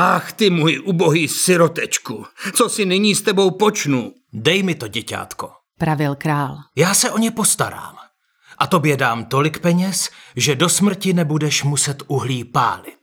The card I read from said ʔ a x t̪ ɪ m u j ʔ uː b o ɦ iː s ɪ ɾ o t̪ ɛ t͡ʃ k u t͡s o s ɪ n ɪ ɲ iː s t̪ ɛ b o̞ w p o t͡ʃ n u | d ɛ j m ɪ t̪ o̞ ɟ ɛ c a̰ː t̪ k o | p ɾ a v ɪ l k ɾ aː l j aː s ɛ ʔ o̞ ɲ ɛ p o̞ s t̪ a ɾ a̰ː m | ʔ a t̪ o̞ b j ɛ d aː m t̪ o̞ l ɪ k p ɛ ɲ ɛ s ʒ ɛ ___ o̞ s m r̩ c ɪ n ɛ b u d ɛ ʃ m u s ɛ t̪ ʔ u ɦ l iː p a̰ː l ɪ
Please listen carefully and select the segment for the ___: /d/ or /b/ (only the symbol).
d